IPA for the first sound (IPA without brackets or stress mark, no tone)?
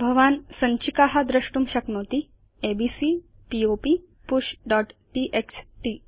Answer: bʱ